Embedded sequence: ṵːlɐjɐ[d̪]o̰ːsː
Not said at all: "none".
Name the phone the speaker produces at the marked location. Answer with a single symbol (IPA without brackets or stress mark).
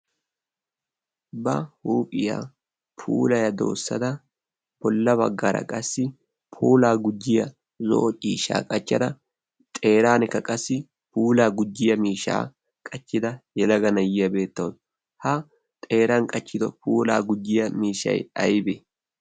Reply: d̪